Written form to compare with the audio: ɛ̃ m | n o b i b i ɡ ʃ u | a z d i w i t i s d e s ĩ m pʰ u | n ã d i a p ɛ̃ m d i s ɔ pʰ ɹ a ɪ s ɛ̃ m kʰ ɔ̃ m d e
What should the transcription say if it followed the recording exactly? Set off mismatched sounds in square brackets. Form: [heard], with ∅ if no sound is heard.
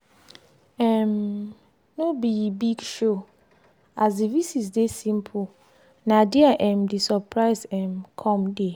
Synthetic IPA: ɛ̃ m | n o b i b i ɡ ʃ [o] | a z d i [v] i [s] i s d e s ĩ m pʰ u | n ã d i a [ʔ] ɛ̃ m d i s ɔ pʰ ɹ a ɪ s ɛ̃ m kʰ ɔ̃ m d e